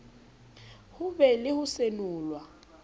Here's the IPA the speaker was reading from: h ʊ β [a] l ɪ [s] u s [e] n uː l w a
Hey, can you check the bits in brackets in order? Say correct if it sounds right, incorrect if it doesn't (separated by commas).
incorrect, incorrect, correct